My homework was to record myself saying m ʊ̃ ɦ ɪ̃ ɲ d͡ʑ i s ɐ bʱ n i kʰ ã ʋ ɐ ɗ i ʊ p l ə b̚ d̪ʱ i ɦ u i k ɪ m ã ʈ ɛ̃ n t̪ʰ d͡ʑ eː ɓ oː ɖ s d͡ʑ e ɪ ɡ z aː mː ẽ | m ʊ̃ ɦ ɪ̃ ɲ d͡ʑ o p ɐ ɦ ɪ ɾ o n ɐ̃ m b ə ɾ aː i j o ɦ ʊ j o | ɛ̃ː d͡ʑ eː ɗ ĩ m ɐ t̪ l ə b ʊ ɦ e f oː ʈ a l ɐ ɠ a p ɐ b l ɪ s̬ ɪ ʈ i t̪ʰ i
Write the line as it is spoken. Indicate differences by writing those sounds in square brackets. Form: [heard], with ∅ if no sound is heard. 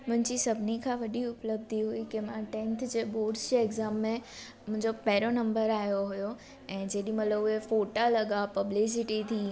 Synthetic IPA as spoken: m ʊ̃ ɦ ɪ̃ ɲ d͡ʑ i s ɐ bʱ n i kʰ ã ʋ ɐ ɗ i ʊ p l ə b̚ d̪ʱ i ɦ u i k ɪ m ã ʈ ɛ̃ n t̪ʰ d͡ʑ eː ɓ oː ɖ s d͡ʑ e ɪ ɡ z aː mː ẽ | m ʊ̃ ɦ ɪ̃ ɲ d͡ʑ o p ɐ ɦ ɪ ɾ o n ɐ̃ m b ə ɾ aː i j o ɦ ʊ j o | ɛ̃ː d͡ʑ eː ɗ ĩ m ɐ t̪ l ə b ʊ ɦ e f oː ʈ a l ɐ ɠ a p ɐ b l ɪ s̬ ɪ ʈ i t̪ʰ i